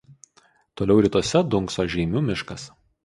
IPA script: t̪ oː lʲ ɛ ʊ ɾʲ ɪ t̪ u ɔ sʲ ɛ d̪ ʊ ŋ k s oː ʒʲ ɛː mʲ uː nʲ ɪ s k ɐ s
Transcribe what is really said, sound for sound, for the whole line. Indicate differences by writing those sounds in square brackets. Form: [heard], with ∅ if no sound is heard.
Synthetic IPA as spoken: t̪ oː lʲ ɛ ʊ ɾʲ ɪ t̪ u ɔ sʲ ɛ d̪ ʊ ŋ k s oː ʒʲ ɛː mʲ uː [mʲ] ɪ [ʃ] k ɐ s